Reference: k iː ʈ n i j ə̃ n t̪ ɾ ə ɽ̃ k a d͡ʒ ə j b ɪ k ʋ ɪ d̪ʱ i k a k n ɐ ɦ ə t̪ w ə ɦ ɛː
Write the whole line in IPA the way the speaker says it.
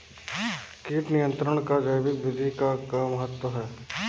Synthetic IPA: k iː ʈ n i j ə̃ n t̪ ɾ ə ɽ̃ k a d͡ʒ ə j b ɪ k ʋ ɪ d̪ʱ i k a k m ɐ ɦ ə t̪ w ə ɦ ɛː